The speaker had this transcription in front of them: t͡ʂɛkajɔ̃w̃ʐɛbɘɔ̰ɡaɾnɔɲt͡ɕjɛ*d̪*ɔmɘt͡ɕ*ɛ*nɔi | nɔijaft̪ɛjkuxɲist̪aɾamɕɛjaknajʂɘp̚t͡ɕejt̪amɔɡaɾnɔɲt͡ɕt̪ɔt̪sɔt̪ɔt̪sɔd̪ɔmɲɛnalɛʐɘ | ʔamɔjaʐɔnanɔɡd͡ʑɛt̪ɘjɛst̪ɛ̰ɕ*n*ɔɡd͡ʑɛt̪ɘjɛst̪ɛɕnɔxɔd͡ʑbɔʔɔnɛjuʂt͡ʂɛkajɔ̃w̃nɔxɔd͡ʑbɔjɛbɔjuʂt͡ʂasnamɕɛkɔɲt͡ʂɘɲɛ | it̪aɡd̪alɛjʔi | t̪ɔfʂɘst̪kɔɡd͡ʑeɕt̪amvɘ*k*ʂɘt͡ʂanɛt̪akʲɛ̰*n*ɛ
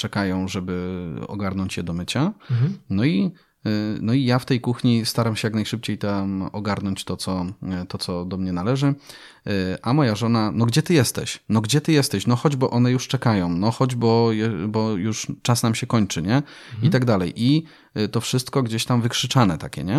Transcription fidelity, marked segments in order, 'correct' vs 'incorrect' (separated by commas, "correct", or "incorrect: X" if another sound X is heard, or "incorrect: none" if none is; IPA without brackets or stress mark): correct, incorrect: a, correct, correct, incorrect: ɲ